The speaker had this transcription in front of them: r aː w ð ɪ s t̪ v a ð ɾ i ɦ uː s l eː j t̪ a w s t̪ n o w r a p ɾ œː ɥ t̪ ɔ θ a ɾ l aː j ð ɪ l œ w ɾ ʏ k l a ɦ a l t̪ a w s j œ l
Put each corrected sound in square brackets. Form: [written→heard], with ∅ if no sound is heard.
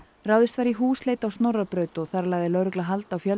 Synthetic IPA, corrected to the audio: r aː w ð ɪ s t̪ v a [ð→∅] ɾ i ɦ uː s l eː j t̪ a w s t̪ n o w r a p ɾ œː ɥ t̪ ɔ θ a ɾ l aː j ð ɪ l œ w ɾ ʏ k l a ɦ a l t̪ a w [s→f] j œ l